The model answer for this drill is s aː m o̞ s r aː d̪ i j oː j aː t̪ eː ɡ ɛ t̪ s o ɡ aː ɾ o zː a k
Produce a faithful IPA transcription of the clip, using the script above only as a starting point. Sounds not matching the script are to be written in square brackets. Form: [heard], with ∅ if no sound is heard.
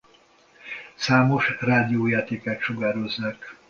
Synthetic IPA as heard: s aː m o̞ [ʃ] r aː d̪ i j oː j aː t̪ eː [k] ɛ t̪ [ʃ] o ɡ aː ɾ o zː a k